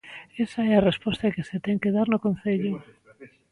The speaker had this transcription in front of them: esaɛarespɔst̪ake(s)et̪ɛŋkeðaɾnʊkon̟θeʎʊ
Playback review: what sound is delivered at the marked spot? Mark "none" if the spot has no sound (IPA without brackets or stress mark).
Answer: s